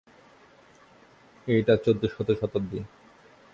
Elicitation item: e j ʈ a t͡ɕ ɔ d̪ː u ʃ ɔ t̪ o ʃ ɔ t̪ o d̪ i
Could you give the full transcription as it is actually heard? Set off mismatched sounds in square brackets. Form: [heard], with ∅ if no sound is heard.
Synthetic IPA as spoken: e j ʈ a t͡ɕ [o] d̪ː [o] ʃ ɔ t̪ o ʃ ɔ t̪ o d̪ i